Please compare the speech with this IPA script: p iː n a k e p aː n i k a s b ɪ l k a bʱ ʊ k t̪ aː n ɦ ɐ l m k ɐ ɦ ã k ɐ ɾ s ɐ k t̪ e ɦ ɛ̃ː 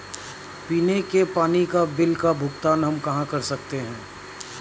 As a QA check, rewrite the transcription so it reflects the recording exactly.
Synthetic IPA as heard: p iː n e k e p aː n i k a b ɪ l k a bʱ ʊ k t̪ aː n ɦ ɐ m k ɐ ɦ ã k ɐ ɾ s ɐ k t̪ e ɦ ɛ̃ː